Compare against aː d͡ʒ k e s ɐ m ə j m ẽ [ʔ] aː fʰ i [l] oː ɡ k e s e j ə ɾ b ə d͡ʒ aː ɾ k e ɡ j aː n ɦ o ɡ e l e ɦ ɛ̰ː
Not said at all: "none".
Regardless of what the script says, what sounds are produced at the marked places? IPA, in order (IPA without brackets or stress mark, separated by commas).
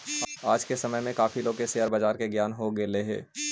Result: k, l